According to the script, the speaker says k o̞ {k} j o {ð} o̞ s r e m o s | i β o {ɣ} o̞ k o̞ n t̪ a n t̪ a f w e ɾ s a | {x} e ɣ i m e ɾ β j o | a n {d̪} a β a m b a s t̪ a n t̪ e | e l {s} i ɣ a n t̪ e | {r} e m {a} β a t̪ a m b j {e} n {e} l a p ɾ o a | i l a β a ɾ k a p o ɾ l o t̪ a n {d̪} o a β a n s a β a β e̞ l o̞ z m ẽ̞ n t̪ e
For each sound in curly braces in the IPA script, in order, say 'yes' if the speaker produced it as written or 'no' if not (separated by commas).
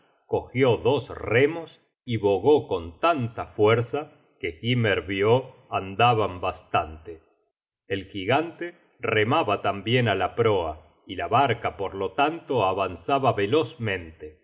no, yes, yes, no, yes, no, yes, yes, yes, no, no